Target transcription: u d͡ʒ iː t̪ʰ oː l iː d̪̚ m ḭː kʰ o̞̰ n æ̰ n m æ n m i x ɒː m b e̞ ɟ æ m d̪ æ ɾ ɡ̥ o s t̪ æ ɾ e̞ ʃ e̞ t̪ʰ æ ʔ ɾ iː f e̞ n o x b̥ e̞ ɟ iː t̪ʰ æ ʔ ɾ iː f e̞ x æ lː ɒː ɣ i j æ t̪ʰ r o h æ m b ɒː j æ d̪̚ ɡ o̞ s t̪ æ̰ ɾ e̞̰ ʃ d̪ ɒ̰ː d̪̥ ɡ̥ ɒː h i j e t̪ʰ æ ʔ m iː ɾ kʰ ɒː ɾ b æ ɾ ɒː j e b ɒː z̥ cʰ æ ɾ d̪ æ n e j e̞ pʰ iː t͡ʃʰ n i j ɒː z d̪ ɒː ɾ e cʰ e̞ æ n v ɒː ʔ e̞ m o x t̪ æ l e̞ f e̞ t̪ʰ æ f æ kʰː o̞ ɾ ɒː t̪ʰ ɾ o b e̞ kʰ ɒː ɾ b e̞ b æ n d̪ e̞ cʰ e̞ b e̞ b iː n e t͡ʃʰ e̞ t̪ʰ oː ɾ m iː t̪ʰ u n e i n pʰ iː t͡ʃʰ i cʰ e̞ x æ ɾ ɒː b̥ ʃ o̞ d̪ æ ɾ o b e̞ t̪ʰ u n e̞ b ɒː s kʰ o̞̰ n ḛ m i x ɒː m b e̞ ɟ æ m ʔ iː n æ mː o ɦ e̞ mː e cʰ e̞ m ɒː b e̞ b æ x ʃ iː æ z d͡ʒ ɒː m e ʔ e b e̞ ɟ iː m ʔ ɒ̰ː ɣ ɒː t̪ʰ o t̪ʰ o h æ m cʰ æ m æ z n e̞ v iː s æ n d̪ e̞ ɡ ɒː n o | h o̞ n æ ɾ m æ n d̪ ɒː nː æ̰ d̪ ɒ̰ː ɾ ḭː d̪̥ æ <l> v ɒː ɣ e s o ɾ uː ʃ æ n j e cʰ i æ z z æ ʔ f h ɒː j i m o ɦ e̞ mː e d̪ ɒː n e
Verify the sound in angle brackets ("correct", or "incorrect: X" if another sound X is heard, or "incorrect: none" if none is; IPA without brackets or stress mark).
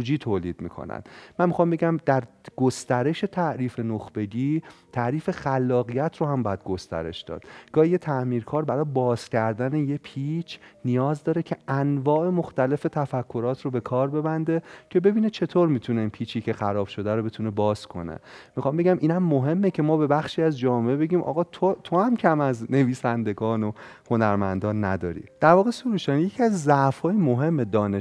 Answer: incorrect: ɾ